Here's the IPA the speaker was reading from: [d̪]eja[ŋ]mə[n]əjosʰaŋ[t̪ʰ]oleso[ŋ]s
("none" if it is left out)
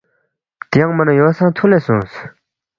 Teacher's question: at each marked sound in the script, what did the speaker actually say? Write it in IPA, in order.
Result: t̪, ŋ, n, t̪ʰ, ŋ

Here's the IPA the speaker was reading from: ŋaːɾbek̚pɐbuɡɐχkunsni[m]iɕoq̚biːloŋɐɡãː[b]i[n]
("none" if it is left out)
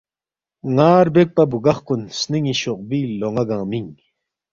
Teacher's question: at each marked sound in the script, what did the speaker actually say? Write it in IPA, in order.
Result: ŋ, m, ŋ

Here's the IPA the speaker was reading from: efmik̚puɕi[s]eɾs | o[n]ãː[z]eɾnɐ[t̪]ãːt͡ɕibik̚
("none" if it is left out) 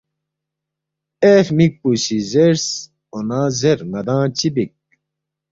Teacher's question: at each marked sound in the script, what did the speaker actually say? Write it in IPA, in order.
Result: z, n, z, d̪

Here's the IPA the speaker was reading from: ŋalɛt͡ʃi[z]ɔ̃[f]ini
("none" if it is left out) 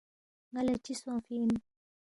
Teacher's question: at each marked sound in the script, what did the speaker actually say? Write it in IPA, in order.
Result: s, f

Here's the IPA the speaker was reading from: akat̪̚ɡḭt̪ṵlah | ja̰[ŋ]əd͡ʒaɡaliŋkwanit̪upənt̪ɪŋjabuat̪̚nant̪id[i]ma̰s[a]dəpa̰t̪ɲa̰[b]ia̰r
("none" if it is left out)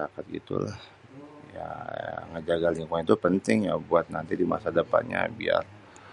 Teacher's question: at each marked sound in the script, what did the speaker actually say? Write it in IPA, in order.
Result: ŋ, i, a, b

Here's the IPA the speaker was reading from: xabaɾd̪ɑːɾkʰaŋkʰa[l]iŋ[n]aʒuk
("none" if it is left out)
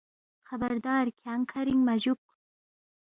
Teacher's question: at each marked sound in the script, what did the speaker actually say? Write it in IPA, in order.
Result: ɾ, m

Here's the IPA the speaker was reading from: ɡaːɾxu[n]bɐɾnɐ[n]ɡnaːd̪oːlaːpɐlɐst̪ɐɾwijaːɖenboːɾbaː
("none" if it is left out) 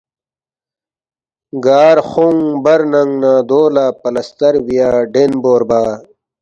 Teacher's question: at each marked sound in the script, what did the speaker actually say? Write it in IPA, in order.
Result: ŋ, ŋ

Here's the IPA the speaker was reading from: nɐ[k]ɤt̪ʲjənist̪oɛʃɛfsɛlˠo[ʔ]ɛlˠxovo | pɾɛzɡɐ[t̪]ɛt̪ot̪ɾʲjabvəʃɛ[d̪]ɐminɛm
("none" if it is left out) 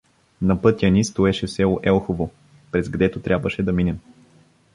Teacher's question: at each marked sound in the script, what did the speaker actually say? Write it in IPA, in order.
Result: p, ʔ, d̪, d̪

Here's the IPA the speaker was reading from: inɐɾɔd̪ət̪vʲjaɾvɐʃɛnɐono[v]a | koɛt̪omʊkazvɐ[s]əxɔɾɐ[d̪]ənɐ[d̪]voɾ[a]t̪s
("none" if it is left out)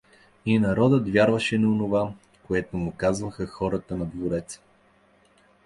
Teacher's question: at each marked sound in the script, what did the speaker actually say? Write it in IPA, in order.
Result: v, x, t̪, d̪, ɛ

